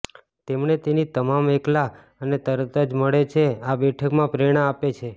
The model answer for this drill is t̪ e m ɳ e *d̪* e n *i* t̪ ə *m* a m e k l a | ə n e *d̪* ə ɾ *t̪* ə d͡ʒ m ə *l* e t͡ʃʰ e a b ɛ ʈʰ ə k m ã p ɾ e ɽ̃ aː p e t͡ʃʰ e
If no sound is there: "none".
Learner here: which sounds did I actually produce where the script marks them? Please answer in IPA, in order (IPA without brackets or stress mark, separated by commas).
t̪, i, m, t̪, t̪, ɭ